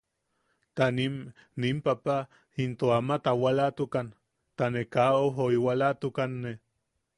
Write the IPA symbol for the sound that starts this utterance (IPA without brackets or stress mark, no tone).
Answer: t̪